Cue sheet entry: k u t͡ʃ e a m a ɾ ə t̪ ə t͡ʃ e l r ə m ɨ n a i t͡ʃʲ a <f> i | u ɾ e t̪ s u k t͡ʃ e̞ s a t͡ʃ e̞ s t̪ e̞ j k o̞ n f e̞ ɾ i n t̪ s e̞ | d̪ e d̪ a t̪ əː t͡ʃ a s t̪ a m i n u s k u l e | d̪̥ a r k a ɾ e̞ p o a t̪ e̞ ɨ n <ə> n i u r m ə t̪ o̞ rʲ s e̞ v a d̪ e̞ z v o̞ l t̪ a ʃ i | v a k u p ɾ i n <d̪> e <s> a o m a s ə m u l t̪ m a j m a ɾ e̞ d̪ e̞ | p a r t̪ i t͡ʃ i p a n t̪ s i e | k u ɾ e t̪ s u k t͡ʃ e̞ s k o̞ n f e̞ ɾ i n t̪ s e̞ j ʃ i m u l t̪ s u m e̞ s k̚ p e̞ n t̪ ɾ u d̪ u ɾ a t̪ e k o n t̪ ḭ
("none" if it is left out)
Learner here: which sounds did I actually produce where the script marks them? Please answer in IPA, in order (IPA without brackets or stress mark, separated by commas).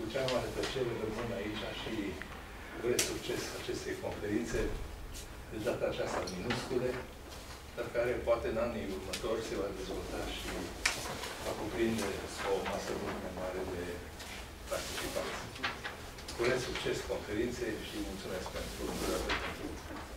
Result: ʃ, a, d̪, s